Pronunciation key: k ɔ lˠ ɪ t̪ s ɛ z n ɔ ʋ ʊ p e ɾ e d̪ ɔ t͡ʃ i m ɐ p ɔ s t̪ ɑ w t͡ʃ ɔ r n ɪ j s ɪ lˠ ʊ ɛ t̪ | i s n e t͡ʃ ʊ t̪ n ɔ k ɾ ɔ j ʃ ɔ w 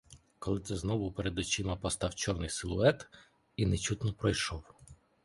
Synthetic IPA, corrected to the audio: k ɔ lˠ ɪ t̪ s ɛ z n ɔ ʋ ʊ p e ɾ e d̪ ɔ t͡ʃ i m ɐ p ɔ s t̪ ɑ w t͡ʃ ɔ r n ɪ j s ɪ lˠ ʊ ɛ t̪ | i n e t͡ʃ u t̪ n ɔ p ɾ ɔ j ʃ ɔ w